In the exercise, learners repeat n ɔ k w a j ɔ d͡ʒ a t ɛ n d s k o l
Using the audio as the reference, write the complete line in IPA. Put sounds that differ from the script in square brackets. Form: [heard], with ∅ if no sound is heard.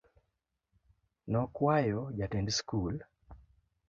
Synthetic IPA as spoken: n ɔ k w a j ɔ d͡ʒ a t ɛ n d s k [u] l